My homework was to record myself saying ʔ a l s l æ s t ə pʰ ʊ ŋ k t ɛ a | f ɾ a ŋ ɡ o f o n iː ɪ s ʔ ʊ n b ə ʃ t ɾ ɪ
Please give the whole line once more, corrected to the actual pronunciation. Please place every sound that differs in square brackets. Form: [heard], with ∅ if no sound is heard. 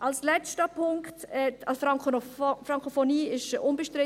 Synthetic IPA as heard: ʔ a l s l [ɛ] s t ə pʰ ʊ ŋ k t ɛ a | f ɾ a ŋ [k] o f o n iː ɪ [ʃ] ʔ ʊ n b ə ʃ t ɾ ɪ